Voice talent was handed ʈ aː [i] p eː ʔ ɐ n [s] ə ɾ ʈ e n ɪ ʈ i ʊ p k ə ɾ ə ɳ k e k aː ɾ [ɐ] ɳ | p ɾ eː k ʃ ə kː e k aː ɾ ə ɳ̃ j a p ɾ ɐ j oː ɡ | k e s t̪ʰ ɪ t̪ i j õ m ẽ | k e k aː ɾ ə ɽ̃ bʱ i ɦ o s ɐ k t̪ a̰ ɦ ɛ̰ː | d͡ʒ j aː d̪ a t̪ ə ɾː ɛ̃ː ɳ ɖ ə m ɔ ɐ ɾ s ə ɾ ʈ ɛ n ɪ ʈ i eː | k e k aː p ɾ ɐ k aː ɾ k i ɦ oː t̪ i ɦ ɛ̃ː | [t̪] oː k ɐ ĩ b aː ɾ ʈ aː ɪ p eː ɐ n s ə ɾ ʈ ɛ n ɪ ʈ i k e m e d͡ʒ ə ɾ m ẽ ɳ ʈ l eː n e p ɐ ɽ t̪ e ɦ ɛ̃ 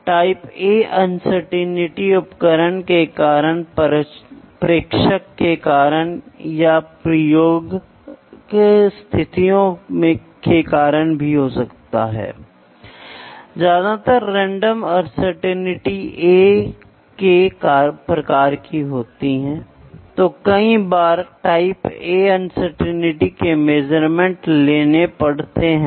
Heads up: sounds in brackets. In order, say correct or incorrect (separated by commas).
incorrect, correct, incorrect, correct